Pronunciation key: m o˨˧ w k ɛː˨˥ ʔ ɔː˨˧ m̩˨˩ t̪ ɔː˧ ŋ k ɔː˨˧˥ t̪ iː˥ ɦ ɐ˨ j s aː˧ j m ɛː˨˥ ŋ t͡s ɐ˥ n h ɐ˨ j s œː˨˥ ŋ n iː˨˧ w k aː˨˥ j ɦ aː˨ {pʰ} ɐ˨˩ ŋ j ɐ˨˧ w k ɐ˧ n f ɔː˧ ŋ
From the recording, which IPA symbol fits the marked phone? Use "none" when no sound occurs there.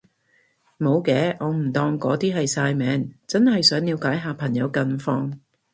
pʰ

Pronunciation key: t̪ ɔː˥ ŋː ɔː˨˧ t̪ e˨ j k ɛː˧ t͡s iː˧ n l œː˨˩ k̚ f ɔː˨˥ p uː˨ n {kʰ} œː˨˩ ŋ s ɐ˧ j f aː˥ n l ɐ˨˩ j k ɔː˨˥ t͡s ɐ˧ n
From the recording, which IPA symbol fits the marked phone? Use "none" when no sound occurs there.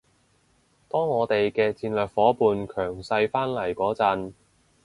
kʰ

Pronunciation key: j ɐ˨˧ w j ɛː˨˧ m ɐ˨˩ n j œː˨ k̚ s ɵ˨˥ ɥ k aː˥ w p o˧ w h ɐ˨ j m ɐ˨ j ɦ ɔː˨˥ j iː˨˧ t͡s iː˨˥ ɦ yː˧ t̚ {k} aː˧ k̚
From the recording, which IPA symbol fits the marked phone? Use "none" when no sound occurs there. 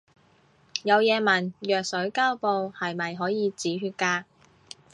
k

